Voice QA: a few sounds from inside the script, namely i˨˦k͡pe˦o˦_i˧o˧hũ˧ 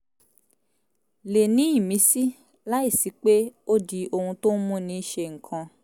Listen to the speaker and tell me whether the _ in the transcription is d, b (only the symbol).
d